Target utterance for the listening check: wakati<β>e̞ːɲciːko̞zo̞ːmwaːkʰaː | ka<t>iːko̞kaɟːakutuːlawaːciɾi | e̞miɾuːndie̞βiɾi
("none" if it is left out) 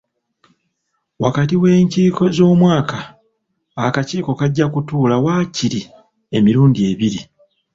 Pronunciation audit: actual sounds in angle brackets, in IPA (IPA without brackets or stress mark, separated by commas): w, c